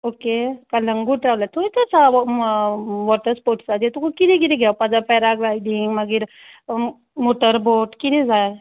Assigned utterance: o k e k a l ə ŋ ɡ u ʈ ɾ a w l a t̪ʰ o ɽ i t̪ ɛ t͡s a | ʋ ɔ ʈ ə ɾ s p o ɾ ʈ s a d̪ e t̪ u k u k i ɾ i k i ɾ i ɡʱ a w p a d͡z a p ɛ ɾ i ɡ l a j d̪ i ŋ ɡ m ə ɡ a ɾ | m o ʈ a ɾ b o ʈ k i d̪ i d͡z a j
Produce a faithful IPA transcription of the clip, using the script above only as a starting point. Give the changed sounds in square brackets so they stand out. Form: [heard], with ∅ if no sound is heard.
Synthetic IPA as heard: o k e k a l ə ŋ ɡ u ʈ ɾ a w l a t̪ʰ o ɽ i t̪ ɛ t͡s a | ʋ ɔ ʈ ə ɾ s p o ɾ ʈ s a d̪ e t̪ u k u k i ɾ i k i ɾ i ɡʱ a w p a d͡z a p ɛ ɾ [a] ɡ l a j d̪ i ŋ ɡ m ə ɡ [i] ɾ | m o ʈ [ə] ɾ b o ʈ k i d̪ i d͡z a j